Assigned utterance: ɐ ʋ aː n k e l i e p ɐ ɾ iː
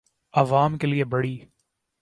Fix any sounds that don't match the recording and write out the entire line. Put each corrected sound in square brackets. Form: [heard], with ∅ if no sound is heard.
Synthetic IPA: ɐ ʋ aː [m] k e l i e [b] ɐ [ɽ] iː